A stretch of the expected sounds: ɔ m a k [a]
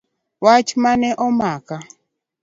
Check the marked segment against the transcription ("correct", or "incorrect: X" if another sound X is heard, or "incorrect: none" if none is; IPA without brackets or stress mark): correct